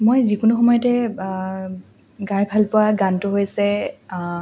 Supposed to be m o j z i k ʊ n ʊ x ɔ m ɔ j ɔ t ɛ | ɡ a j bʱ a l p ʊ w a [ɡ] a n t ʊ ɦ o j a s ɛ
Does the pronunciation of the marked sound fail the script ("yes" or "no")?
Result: no